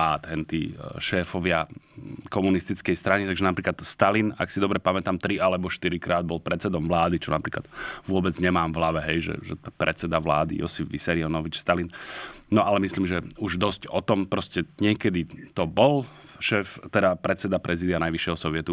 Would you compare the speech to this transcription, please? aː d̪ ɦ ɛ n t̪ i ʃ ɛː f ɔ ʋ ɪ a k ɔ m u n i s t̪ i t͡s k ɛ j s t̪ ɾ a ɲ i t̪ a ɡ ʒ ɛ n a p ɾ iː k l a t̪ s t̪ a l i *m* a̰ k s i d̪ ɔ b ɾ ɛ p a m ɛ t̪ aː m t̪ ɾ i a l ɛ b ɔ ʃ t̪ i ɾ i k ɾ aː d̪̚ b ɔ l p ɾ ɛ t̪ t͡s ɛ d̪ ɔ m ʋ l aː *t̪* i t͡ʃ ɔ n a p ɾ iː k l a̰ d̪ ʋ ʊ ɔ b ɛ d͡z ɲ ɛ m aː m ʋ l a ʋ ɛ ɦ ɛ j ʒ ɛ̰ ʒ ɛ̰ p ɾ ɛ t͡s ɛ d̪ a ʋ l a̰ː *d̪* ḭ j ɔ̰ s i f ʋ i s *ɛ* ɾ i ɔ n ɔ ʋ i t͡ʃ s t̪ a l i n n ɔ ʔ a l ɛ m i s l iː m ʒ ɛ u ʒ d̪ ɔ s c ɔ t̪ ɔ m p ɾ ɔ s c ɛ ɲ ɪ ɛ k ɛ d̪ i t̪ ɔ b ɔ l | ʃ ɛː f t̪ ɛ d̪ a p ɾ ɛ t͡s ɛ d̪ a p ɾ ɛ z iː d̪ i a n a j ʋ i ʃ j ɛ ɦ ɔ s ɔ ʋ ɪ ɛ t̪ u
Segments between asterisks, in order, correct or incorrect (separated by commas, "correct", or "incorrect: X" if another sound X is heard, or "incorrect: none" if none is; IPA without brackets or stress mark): incorrect: n, incorrect: d̪, correct, correct